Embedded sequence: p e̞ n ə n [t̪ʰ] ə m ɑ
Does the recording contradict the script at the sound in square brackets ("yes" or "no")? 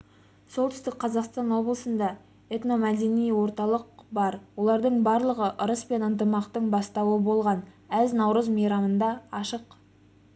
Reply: yes